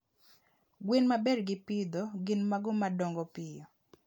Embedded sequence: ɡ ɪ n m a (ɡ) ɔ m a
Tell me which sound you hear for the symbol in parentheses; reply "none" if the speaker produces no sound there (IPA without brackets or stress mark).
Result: ɡ